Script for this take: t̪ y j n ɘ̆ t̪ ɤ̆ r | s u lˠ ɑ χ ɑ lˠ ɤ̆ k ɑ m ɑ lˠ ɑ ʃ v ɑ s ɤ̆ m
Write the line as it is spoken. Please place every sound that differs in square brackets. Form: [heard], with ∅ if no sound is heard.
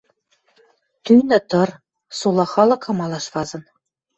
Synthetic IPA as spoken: t̪ y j n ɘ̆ t̪ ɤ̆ r | s u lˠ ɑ χ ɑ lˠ ɤ̆ k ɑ m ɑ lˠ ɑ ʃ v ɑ [z] ɤ̆ [n]